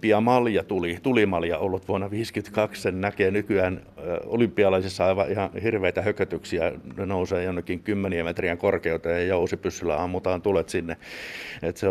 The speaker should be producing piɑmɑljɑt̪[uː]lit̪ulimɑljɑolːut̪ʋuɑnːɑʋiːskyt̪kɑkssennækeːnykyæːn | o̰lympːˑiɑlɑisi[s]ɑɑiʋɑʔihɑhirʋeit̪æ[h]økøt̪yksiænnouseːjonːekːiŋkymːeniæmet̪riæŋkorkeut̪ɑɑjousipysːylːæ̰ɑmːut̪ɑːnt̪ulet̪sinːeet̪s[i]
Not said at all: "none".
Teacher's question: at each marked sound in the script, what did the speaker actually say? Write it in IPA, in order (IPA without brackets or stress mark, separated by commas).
u, sː, h, e